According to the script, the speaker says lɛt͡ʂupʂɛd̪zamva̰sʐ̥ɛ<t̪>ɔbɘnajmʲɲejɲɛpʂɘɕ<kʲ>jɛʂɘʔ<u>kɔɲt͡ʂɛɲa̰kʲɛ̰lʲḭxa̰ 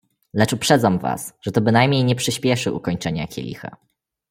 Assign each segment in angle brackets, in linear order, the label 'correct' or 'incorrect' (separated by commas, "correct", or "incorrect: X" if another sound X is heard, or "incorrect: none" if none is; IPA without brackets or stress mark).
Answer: correct, incorrect: pʲ, correct